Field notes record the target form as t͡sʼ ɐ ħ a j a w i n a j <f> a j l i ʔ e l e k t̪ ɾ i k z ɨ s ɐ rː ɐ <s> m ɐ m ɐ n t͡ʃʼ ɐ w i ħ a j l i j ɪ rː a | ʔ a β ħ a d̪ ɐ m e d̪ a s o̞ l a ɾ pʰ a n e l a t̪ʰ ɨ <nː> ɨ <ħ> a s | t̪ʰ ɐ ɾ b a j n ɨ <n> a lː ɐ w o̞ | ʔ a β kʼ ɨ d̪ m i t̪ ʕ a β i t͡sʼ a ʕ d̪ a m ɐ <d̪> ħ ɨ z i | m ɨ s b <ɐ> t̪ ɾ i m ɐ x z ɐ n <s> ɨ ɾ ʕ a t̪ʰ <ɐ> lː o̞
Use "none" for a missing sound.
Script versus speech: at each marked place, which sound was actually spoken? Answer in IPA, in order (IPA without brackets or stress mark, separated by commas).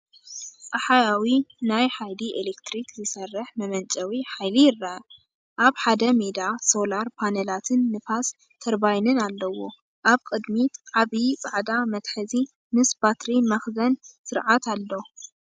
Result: ħ, ħ, nː, f, n, t̪, a, s, a